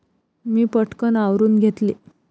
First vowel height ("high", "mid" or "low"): high